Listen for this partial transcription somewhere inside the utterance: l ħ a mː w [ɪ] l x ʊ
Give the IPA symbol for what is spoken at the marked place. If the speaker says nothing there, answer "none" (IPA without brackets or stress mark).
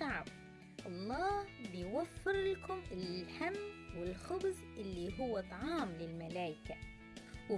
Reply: ɪ